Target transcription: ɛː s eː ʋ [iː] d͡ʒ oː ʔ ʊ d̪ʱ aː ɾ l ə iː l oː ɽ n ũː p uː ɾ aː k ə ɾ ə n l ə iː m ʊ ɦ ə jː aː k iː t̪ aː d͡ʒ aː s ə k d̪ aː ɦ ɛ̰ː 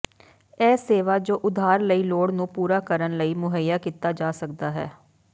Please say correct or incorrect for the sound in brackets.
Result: incorrect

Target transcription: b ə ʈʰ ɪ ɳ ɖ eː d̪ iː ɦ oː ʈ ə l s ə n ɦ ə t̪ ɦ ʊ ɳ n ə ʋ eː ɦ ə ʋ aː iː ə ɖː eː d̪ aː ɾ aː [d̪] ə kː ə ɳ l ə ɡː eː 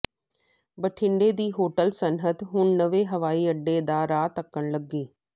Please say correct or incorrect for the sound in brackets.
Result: incorrect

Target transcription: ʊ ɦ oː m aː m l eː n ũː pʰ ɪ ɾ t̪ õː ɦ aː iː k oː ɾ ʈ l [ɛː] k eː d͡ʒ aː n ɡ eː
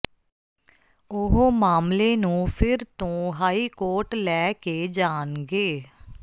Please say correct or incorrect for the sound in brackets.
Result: correct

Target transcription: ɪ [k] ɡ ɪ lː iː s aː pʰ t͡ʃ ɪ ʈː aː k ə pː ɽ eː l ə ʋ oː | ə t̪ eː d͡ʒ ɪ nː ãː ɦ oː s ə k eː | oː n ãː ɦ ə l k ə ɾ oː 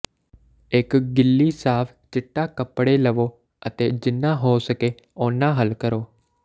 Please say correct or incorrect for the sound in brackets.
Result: correct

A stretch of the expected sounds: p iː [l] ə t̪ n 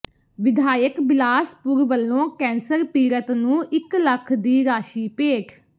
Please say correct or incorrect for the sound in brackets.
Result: incorrect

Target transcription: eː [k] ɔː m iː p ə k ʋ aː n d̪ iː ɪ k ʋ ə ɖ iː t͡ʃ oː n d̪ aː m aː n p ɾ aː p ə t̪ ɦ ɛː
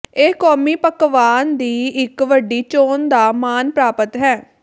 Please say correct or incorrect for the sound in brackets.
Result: correct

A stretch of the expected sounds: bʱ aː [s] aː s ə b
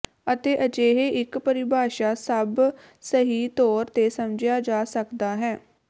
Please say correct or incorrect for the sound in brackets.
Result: incorrect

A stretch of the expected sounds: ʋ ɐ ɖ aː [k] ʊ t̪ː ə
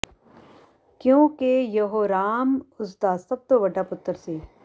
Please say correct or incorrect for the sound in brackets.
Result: incorrect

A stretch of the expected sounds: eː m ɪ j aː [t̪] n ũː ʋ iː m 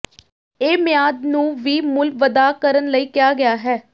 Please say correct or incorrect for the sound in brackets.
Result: incorrect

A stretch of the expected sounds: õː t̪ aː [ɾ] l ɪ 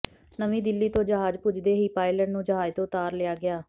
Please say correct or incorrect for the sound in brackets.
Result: correct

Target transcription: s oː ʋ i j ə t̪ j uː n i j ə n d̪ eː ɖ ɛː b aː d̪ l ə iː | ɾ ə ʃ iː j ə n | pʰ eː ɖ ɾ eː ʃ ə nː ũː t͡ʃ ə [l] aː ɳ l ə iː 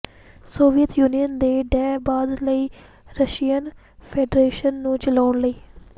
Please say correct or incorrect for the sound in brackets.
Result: correct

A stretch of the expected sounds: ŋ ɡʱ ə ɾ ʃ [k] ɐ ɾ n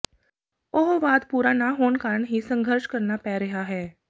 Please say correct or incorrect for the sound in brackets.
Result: correct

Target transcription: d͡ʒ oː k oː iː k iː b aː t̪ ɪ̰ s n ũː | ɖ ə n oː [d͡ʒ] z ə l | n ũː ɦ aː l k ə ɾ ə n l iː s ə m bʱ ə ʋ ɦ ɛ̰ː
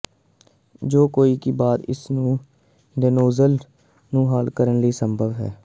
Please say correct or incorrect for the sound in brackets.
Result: incorrect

